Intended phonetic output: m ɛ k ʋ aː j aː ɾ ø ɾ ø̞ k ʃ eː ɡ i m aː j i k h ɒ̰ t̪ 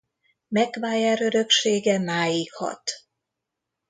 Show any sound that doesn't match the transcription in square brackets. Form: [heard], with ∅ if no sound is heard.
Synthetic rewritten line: m ɛ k ʋ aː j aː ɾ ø ɾ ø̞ k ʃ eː ɡ [ɛ] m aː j i k h ɒ̰ t̪